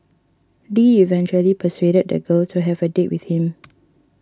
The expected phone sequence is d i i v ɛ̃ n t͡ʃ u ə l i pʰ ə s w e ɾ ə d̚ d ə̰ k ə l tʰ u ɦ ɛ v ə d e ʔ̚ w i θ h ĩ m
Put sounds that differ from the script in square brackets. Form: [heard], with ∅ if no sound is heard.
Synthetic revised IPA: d i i v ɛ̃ n t͡ʃ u ə l i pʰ ə s w e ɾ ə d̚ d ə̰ [ɡ] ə l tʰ u ɦ ɛ v ə d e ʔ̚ w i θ h ĩ m